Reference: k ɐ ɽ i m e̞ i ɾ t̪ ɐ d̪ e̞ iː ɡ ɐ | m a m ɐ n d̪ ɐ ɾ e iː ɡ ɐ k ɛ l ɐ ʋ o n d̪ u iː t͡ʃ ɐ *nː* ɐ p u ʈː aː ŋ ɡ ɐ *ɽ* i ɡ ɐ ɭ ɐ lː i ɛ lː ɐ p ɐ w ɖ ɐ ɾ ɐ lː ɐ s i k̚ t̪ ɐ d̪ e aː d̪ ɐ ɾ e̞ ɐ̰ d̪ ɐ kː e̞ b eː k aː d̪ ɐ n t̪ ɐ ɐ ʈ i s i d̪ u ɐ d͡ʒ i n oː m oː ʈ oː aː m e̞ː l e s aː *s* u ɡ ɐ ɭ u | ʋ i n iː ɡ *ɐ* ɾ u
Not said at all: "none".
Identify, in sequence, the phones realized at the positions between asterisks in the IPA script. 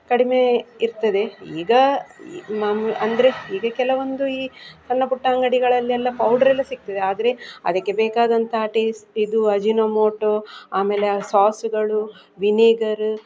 nː, ɽ, s, ɐ

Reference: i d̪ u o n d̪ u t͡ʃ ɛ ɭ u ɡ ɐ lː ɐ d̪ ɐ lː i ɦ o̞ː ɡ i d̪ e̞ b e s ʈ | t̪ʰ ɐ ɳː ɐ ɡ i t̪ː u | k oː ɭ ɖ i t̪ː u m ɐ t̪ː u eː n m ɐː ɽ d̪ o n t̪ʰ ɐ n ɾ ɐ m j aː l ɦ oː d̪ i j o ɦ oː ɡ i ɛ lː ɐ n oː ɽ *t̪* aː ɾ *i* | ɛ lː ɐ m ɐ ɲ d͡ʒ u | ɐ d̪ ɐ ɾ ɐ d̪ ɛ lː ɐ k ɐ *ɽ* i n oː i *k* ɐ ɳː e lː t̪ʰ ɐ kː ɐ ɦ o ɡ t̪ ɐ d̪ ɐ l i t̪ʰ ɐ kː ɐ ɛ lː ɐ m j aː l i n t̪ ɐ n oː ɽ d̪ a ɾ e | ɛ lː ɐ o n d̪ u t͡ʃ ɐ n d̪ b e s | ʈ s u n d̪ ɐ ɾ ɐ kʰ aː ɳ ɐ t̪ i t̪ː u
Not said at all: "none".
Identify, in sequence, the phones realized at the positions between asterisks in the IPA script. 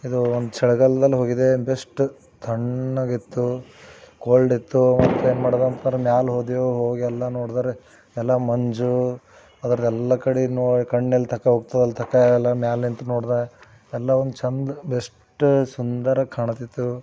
d̪, e, ɽ, k

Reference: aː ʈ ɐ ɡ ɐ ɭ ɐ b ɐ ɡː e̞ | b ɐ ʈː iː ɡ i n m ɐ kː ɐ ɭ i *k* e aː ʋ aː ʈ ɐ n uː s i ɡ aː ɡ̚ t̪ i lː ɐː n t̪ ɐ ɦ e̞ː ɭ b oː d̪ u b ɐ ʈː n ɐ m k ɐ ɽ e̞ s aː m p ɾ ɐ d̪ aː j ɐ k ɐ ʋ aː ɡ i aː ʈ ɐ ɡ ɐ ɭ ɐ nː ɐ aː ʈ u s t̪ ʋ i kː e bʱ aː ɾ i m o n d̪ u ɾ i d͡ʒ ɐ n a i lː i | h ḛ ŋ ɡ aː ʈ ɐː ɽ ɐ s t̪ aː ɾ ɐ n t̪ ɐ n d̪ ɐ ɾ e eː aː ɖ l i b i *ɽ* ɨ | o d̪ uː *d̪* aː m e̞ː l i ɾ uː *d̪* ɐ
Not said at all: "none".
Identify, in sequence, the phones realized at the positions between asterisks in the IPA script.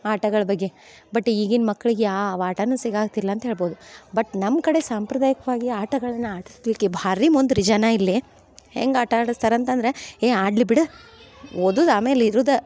ɡ, ɽ, d̪, d̪

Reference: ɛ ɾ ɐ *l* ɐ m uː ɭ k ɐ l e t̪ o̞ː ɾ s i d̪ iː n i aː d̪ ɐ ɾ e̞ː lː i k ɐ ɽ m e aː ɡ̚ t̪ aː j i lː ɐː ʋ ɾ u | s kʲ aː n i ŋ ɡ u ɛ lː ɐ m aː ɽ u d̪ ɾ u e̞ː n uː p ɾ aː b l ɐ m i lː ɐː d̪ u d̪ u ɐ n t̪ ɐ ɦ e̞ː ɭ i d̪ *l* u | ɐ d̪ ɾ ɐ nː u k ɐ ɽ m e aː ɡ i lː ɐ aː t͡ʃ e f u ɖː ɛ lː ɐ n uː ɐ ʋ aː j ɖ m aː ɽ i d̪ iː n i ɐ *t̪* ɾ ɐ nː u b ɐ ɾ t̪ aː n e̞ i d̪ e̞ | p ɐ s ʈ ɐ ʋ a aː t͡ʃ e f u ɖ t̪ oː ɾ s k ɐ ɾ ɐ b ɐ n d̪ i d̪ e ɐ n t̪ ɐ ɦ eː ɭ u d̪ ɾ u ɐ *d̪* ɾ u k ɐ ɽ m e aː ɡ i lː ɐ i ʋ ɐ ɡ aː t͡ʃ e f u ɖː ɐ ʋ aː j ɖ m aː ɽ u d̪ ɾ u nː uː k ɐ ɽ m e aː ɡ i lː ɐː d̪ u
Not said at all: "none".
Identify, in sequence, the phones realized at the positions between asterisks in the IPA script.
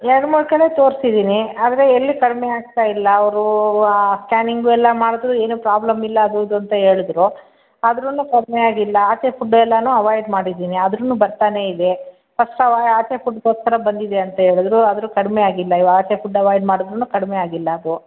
ɽ, ɾ, d̪, d̪

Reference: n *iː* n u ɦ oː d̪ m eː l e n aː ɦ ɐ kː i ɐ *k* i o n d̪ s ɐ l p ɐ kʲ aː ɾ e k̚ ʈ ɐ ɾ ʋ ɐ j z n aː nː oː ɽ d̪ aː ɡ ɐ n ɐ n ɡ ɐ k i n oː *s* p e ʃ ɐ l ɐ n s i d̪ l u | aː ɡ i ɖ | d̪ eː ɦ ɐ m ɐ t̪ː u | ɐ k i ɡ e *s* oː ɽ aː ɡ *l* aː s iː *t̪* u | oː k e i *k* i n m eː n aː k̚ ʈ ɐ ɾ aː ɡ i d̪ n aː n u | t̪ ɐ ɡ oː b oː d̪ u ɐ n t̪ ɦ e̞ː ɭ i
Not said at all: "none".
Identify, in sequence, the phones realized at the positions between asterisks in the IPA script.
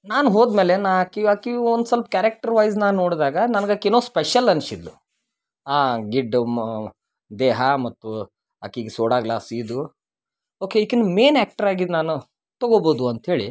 aː, k, s, s, l, d̪, k

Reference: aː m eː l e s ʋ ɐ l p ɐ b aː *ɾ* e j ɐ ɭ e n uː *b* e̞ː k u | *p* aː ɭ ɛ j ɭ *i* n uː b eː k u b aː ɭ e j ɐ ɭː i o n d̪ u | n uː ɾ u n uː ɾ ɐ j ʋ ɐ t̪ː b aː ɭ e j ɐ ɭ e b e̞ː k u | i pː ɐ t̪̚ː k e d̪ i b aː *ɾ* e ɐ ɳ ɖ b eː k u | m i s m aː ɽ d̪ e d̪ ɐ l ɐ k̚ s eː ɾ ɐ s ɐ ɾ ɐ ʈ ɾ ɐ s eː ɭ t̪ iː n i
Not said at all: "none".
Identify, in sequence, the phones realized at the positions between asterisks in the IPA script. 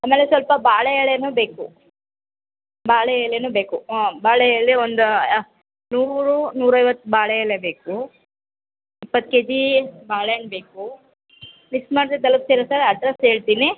ɭ, b, b, e, ɭ

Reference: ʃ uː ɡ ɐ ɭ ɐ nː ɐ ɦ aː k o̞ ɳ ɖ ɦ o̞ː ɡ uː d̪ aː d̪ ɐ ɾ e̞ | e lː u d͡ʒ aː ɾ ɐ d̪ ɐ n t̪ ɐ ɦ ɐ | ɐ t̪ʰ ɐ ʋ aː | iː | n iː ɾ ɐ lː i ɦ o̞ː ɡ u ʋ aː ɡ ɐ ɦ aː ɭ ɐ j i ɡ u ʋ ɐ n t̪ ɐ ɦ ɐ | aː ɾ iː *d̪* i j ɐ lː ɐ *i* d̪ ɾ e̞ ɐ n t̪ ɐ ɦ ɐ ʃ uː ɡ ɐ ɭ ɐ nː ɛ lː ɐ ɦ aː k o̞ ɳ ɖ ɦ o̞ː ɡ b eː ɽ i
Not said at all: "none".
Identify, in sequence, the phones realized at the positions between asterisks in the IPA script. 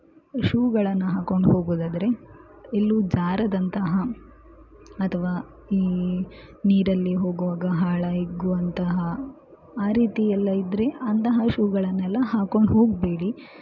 t̪, i

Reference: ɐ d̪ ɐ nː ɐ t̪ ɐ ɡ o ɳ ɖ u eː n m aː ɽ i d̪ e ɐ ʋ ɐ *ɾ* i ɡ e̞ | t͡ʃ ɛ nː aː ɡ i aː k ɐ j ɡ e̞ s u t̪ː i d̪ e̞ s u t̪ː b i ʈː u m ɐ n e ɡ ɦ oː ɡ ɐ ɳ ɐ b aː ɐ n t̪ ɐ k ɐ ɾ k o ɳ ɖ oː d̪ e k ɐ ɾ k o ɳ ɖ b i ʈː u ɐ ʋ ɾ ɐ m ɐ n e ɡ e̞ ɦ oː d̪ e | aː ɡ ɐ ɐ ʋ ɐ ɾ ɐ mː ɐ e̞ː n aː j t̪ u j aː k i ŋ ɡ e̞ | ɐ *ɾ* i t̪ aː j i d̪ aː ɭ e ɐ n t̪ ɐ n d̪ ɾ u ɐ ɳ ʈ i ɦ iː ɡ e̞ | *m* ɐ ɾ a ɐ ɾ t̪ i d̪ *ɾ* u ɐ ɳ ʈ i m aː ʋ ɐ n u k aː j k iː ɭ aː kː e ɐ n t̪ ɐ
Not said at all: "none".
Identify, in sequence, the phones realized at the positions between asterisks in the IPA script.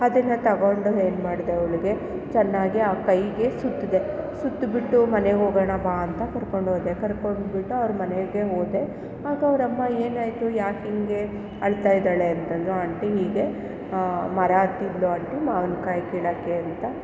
ɭ, ɭ, m, l

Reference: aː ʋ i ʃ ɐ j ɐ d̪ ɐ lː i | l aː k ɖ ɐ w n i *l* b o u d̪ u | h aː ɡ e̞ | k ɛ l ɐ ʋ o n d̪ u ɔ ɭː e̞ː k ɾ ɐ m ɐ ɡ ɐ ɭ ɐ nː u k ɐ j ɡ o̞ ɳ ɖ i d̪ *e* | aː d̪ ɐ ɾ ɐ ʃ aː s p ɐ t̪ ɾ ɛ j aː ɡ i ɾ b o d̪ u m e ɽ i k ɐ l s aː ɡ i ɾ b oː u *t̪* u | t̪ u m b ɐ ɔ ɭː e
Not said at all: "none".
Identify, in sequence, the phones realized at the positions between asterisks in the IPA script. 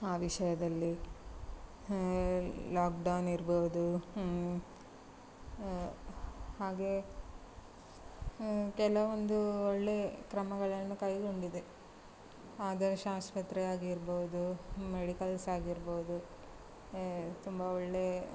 ɾ, e, d̪

